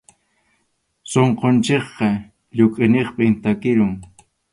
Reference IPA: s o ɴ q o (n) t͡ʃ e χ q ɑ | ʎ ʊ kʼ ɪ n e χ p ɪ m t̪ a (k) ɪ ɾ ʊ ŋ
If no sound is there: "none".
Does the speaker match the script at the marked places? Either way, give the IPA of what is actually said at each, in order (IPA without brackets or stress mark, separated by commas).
n, k